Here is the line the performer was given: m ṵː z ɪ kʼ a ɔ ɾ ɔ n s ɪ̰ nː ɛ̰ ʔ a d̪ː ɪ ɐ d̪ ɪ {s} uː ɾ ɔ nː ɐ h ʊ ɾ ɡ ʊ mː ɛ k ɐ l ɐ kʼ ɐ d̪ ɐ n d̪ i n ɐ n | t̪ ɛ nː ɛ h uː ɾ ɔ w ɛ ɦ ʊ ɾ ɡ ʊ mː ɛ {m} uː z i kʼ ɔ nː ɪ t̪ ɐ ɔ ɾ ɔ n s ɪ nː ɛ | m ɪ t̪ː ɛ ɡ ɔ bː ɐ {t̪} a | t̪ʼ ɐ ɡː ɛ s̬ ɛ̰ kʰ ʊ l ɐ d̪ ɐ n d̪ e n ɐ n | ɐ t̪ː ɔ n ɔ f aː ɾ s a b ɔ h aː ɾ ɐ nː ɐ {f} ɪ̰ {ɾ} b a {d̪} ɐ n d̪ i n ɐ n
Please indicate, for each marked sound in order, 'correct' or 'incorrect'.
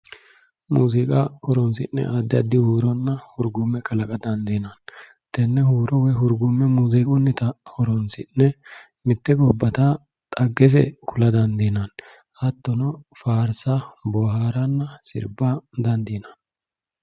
incorrect: h, correct, correct, incorrect: s, correct, correct

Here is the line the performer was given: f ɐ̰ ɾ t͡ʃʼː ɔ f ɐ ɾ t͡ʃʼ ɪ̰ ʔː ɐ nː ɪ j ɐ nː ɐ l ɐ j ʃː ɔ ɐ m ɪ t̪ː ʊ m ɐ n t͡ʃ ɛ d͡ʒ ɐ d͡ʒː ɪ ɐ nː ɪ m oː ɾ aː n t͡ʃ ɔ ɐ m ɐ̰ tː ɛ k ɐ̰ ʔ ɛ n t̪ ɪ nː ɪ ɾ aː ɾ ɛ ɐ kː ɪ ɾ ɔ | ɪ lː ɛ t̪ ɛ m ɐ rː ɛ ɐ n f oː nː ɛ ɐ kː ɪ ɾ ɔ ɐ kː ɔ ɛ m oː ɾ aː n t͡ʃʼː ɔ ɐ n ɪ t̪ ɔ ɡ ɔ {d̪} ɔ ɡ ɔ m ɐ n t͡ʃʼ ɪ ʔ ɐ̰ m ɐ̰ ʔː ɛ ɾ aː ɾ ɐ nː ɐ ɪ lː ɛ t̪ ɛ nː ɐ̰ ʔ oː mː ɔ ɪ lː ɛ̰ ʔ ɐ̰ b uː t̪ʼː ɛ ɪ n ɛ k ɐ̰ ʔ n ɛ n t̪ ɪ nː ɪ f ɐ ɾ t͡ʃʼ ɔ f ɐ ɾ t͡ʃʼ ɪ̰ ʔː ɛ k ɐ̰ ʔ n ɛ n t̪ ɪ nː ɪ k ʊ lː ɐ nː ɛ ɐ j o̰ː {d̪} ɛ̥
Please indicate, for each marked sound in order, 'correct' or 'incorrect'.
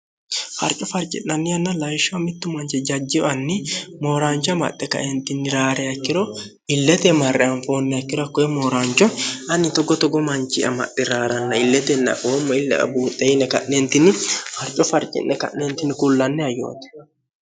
incorrect: t̪, incorrect: t̪

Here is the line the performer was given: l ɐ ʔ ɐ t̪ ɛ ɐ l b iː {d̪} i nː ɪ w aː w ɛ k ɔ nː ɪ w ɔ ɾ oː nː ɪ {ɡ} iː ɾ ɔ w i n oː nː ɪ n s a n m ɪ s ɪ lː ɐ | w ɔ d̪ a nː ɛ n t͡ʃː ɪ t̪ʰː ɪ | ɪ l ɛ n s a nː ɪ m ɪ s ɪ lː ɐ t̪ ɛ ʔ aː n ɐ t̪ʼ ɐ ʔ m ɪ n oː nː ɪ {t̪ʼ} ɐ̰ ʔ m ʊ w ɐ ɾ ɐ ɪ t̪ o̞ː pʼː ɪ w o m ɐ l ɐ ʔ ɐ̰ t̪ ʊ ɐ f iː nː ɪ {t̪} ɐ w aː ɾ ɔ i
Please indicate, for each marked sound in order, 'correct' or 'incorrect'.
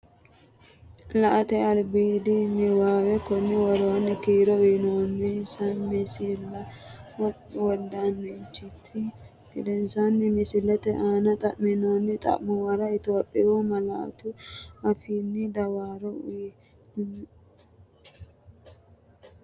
correct, incorrect: k, correct, incorrect: d̪

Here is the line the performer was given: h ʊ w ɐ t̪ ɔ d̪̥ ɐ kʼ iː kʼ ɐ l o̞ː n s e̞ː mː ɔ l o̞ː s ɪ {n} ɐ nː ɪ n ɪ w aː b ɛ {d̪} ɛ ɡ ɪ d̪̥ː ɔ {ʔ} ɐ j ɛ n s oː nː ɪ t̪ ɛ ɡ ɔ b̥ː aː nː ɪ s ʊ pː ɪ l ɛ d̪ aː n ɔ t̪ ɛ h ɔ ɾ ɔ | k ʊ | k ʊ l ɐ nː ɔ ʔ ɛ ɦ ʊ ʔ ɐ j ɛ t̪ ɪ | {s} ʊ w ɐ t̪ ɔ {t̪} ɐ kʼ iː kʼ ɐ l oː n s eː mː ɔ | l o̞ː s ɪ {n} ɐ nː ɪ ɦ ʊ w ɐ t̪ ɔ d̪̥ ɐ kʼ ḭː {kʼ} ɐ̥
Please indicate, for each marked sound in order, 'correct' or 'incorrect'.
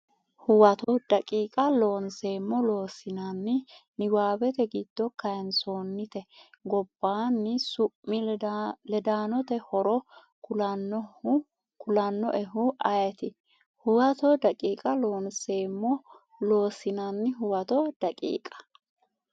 correct, incorrect: t̪, incorrect: k, incorrect: h, incorrect: d̪, correct, correct

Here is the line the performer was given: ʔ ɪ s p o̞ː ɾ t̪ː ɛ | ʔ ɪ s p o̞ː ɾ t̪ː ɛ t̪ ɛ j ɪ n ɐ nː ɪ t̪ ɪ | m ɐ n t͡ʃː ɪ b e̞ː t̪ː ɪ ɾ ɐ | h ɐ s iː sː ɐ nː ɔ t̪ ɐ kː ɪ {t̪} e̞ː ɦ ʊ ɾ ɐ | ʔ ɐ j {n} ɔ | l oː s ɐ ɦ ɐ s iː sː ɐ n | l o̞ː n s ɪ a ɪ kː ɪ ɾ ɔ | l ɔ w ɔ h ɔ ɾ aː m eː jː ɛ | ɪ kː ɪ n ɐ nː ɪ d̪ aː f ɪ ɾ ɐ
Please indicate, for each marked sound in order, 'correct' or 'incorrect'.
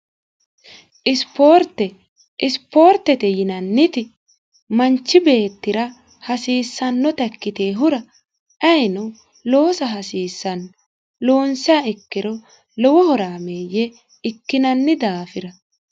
correct, correct

